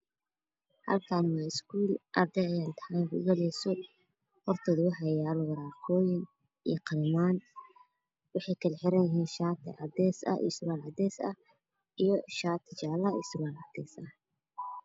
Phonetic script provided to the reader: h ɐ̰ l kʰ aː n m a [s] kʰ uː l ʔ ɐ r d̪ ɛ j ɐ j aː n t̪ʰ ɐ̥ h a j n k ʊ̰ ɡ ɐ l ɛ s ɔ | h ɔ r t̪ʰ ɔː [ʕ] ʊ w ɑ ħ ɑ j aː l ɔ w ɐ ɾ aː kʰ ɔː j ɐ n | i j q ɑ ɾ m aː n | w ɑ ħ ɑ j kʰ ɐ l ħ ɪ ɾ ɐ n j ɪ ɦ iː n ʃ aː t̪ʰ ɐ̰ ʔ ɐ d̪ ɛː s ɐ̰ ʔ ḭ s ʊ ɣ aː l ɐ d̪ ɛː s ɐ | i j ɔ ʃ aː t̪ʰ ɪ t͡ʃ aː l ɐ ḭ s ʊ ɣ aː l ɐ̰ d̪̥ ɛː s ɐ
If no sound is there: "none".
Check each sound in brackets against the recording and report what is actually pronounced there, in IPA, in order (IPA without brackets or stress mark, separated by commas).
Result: s, ð